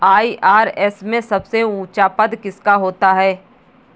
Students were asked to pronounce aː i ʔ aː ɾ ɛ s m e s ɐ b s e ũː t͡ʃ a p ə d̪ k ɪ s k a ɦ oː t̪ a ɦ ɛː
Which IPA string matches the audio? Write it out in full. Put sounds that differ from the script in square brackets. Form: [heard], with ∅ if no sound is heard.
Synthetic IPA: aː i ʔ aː ɾ ɛ s m [ẽ] s ɐ b s e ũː t͡ʃ a p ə d̪ k ɪ s k a ɦ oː t̪ a ɦ ɛː